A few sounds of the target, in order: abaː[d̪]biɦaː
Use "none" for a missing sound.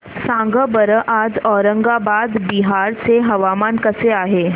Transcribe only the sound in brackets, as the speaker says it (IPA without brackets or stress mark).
d̪